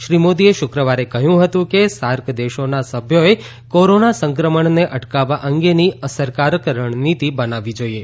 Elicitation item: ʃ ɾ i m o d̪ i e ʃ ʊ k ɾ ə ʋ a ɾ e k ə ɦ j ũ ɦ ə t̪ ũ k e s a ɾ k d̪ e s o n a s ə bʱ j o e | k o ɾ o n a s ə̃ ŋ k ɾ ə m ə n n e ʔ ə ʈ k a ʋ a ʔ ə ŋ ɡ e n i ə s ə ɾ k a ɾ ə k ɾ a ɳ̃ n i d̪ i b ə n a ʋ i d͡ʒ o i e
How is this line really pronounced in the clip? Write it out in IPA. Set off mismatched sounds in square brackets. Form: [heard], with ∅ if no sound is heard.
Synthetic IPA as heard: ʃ ɾ i m o d̪ i e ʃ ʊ k ɾ ə ʋ a ɾ e k ə ɦ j ũ ɦ ə t̪ ũ k e s a ɾ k d̪ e [ʃ] o n a s ə bʱ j o e | k o ɾ o n a s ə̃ ŋ k ɾ ə m ə [ɳ] n e ʔ ə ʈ k a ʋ a ʔ ə ŋ ɡ e n i ə s ə ɾ k a ɾ ə k ɾ [ə] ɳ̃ n i [t̪] i b ə n a ʋ i d͡ʒ o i e

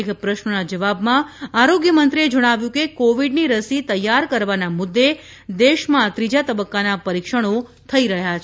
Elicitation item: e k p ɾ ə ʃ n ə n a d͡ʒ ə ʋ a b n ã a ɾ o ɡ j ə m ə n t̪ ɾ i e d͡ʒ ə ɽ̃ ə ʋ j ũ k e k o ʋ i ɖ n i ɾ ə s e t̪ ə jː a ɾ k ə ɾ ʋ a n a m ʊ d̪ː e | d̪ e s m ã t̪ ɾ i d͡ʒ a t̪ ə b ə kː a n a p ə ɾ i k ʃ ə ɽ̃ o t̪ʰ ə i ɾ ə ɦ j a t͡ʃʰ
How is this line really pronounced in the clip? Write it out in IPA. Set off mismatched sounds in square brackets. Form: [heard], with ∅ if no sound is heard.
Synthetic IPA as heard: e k p ɾ ə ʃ n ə n a d͡ʒ ə ʋ a b [m] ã a ɾ o ɡ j ə m ə n t̪ ɾ i e d͡ʒ ə ɽ̃ [a] ʋ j ũ k e k o ʋ i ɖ n i ɾ ə s [i] t̪ ə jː a ɾ k ə ɾ ʋ a n a m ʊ d̪ː e | d̪ e [ʃ] m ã t̪ ɾ i d͡ʒ a t̪ ə b ə kː a n a p ə ɾ i k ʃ ə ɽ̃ o t̪ʰ ə i ɾ ə ɦ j a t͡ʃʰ

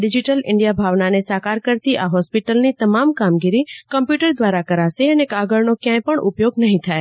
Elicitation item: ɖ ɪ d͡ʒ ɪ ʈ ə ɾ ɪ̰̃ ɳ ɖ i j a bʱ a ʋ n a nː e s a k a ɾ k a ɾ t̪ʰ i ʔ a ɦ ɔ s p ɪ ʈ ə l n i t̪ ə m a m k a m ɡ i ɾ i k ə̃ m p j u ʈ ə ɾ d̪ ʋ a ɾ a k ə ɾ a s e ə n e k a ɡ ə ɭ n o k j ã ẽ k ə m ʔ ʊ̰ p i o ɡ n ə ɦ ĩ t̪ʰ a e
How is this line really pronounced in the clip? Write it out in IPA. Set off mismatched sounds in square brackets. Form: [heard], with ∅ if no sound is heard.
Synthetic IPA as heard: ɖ ɪ d͡ʒ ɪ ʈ ə [l] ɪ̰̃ ɳ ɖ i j a bʱ a ʋ n a [n] e s a k a ɾ k [ə] ɾ [t̪] i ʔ a ɦ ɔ s p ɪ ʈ ə l n i t̪ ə m a m k a m ɡ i ɾ i k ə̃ m p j u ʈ ə ɾ d̪ ʋ a ɾ a k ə ɾ a s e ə n e k a ɡ ə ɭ n o k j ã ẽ [p] ə [ɳ] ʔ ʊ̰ p [j] o ɡ n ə ɦ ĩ t̪ʰ a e

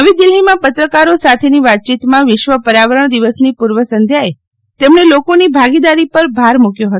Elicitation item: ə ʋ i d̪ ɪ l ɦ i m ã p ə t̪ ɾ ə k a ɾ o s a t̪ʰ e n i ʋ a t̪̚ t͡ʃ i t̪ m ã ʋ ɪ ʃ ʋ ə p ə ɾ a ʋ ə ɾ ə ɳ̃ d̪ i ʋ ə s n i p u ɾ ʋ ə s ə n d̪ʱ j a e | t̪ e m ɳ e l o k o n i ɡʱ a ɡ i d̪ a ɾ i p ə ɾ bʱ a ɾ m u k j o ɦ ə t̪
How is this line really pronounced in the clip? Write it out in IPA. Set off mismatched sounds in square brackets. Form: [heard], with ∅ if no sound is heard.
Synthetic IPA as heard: ə ʋ i d̪ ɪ l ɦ i m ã p ə t̪ ɾ ə k a ɾ o s a t̪ʰ e n i ʋ a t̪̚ t͡ʃ i t̪ m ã ʋ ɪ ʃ ʋ ə p ə ɾ a ʋ ə ɾ ə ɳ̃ d̪ i ʋ ə s n i p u ɾ ʋ ə s ə n d̪ʱ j a e | t̪ e m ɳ e l o k o n i [bʱ] a ɡ i d̪ a ɾ i p ə ɾ bʱ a ɾ m u k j o ɦ ə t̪

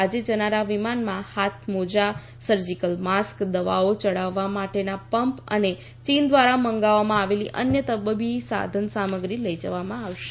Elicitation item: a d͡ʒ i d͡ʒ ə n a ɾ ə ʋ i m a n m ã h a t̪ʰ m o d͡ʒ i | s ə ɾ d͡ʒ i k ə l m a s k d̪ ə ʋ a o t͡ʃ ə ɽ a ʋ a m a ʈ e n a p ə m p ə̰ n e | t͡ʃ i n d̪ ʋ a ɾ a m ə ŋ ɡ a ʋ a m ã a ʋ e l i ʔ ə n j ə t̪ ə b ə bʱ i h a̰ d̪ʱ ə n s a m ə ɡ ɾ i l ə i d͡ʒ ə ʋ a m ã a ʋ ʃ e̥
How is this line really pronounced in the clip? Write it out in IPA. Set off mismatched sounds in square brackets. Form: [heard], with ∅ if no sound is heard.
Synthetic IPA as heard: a d͡ʒ [e] d͡ʒ ə n a ɾ [a] ʋ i m a n m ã h a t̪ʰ m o d͡ʒ [a] | s ə ɾ d͡ʒ i k ə l m a s k d̪ ə ʋ a o t͡ʃ ə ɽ a [ʋː] a m a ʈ e n a p ə m p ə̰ n e | t͡ʃ i n d̪ ʋ a ɾ a m ə ŋ ɡ a ʋ a m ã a ʋ e l i ʔ ə n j ə t̪ ə b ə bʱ i [s] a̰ d̪ʱ ə n s a m ə ɡ ɾ i l ə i d͡ʒ ə ʋ a m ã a ʋ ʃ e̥

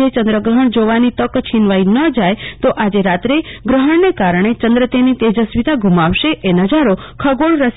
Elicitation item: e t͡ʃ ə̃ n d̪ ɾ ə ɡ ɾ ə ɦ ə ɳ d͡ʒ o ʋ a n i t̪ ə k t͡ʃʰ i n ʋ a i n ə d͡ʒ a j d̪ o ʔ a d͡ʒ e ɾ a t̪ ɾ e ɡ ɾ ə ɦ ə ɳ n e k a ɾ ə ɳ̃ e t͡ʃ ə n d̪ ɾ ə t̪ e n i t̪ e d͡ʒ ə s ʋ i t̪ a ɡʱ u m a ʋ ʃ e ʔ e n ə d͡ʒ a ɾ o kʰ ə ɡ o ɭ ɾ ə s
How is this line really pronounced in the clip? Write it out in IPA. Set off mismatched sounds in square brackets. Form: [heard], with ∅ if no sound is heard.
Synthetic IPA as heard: e t͡ʃ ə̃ n d̪ ɾ ə ɡ ɾ ə ɦ ə ɳ d͡ʒ o ʋ a n i t̪ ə k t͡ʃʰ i n ʋ a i n ə d͡ʒ a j [t̪] o ʔ a d͡ʒ e ɾ a t̪ ɾ e ɡ ɾ ə ɦ ə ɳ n e k a ɾ ə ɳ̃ e t͡ʃ ə n d̪ ɾ ə t̪ e n i t̪ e d͡ʒ ə s ʋ i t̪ a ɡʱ u m a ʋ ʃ e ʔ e n ə d͡ʒ a ɾ o kʰ ə ɡ o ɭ ɾ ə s

